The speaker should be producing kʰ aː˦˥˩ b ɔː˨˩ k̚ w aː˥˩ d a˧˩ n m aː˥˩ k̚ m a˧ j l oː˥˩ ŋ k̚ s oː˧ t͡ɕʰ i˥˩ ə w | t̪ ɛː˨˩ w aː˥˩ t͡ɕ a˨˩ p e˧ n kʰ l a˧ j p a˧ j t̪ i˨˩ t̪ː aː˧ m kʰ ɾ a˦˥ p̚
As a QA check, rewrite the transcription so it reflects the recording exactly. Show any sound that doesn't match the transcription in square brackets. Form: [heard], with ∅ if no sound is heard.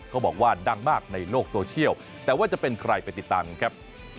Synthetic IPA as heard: kʰ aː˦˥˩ b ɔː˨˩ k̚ w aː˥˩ d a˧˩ [ŋ] m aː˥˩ k̚ [n] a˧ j l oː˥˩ [∅] k̚ s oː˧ t͡ɕʰ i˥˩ ə w | t̪ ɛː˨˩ w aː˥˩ t͡ɕ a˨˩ p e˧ n kʰ [ɾ] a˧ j p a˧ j t̪ i˨˩ t̪ː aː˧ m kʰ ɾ a˦˥ p̚